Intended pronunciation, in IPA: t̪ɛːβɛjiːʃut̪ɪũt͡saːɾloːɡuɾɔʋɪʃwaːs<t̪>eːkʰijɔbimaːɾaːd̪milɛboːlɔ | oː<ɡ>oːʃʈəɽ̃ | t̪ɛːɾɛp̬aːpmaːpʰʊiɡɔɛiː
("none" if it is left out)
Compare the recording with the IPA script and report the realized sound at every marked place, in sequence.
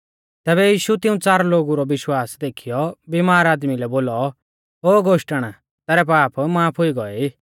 d̪, ɡ

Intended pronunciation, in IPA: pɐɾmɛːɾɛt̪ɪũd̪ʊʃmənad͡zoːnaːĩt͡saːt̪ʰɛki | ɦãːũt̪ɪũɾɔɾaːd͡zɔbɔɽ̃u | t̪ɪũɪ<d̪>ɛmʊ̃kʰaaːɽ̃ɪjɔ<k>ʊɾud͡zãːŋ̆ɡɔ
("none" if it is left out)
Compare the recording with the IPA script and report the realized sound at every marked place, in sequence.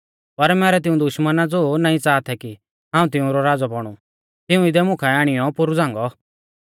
d̪, p

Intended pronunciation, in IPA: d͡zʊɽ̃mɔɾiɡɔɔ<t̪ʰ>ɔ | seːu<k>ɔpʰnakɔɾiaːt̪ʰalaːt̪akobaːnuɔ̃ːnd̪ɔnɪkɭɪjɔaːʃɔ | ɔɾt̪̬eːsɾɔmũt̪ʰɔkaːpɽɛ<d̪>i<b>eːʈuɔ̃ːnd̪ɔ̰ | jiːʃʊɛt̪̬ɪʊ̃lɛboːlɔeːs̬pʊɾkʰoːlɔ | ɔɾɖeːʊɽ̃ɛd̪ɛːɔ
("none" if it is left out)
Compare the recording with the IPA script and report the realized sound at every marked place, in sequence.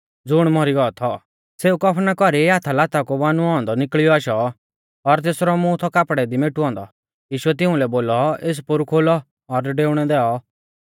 t̪ʰ, k, d̪, m

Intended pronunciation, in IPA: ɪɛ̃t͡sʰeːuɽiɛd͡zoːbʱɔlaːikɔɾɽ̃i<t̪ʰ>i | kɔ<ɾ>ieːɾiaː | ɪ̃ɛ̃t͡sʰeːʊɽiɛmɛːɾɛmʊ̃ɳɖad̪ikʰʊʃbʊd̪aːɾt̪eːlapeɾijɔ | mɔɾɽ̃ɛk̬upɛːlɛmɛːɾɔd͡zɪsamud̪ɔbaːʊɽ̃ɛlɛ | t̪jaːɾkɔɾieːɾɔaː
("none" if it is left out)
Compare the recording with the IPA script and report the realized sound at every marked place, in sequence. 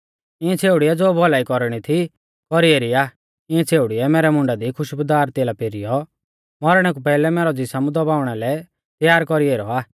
t̪ʰ, ɾ

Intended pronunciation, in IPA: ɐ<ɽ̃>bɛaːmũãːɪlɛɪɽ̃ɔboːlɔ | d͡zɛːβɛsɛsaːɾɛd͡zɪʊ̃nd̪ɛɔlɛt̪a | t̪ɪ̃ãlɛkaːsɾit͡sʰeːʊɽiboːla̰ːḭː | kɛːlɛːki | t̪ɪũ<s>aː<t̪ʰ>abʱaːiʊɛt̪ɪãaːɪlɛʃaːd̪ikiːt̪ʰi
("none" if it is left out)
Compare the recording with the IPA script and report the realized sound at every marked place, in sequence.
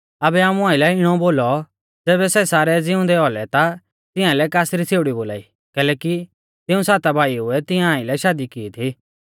none, s, t̪

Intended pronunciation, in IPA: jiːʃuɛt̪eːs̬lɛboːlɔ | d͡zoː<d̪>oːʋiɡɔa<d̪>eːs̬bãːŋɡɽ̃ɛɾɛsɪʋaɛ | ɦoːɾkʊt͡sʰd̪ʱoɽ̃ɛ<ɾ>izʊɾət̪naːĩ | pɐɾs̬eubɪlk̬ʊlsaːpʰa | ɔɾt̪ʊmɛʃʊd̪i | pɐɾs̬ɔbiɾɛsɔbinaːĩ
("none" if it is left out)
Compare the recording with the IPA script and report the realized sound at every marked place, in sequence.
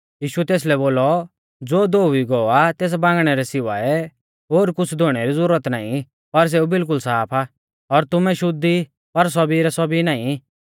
d̪, t̪, ɾ

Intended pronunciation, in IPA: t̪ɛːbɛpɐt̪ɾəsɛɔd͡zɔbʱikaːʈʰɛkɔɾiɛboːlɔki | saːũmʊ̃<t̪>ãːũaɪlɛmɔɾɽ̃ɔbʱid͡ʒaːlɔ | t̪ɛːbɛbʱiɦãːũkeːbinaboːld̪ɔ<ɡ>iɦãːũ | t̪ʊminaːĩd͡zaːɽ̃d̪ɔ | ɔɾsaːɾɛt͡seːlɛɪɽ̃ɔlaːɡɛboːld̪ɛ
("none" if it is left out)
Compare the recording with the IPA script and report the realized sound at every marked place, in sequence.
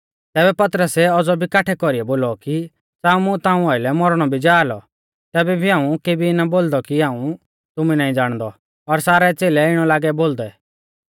t̪, k

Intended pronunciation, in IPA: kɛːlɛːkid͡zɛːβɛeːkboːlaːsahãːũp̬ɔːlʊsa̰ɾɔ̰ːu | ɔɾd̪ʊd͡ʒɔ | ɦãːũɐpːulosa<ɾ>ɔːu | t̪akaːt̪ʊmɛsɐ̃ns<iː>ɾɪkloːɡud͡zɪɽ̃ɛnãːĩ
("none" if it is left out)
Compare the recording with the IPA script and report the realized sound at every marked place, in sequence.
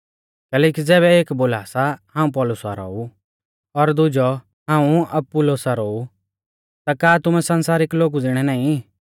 ɾ, aː

